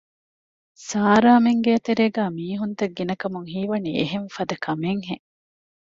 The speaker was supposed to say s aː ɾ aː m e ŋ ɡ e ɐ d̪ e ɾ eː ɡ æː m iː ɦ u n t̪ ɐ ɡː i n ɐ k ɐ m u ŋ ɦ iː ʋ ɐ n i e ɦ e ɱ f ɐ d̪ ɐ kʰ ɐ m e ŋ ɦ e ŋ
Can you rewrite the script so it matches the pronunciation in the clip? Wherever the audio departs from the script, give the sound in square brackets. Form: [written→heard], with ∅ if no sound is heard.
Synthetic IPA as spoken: s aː ɾ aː m e ŋ ɡ e ɐ [d̪→t̪] e ɾ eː ɡ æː m iː ɦ u n t̪ ɐ ɡː i n ɐ k ɐ m u ŋ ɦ iː ʋ ɐ n i e ɦ e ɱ f ɐ d̪ ɐ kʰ ɐ m e ŋ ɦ e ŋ